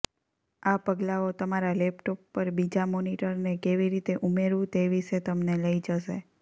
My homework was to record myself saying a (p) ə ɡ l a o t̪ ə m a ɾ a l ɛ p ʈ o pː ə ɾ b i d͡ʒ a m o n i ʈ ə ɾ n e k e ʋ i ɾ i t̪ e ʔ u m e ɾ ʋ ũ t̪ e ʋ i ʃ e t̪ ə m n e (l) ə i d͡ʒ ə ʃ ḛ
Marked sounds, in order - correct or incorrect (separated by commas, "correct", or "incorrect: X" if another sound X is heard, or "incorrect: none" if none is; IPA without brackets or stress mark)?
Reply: correct, correct